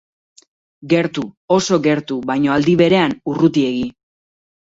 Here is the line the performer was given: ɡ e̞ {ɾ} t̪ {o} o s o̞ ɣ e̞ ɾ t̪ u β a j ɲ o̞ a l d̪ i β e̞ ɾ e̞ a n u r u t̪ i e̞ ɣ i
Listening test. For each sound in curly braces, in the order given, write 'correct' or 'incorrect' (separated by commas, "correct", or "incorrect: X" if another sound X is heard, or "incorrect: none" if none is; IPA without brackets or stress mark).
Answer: correct, incorrect: u